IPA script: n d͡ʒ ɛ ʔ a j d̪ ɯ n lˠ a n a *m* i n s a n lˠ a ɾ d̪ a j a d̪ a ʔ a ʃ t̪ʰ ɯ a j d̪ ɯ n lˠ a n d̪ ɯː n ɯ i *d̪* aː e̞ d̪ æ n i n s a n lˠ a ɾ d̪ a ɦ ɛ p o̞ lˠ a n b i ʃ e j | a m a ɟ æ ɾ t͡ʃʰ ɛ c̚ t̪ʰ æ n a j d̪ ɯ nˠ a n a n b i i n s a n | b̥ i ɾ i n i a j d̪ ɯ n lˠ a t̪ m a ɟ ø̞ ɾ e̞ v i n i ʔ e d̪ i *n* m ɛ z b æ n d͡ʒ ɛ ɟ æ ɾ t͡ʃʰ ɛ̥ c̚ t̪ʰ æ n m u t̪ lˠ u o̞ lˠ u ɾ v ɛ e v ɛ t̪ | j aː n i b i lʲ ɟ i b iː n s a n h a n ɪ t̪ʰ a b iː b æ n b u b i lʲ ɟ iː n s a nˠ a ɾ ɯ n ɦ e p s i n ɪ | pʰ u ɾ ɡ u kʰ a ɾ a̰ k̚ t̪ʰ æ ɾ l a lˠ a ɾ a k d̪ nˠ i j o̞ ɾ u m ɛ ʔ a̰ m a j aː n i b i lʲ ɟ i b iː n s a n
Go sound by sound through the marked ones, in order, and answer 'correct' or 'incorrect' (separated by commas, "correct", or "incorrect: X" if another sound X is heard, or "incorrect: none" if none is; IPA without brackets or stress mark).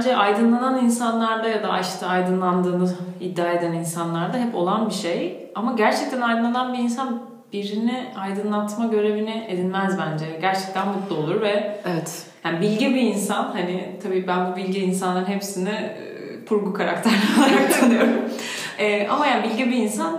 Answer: incorrect: n, incorrect: d̪ː, correct